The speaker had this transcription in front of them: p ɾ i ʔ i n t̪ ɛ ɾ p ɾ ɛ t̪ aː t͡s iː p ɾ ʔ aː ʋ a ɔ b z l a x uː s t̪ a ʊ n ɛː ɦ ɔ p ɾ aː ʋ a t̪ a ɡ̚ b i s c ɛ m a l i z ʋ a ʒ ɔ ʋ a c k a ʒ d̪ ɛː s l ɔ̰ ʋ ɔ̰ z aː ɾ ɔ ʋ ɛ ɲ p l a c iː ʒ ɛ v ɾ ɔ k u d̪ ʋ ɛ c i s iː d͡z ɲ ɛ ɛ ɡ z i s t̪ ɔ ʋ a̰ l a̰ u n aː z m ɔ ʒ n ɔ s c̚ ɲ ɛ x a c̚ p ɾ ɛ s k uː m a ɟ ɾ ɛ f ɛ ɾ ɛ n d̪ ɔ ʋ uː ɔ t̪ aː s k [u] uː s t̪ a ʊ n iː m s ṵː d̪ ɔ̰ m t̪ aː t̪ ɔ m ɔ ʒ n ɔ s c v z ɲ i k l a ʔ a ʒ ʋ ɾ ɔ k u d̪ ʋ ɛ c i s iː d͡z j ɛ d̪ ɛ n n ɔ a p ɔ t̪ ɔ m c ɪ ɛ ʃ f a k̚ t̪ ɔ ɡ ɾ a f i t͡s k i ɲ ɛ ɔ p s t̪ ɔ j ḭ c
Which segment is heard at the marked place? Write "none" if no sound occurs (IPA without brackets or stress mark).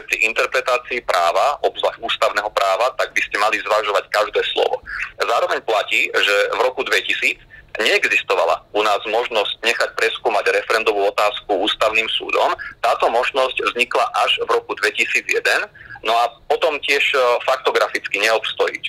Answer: u